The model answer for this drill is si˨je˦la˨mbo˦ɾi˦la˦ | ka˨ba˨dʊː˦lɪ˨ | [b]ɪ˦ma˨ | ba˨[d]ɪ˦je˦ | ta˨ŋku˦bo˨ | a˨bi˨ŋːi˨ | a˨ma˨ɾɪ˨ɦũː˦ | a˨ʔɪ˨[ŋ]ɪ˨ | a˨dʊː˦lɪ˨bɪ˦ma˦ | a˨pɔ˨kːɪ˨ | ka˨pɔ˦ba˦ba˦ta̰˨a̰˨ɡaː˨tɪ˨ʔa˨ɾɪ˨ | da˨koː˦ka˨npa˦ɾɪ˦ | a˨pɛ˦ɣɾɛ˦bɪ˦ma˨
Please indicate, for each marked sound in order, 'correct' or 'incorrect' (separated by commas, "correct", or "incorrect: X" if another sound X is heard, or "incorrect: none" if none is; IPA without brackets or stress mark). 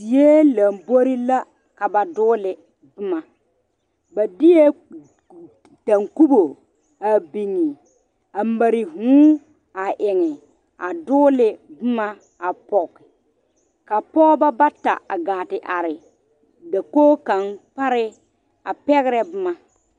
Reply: correct, correct, correct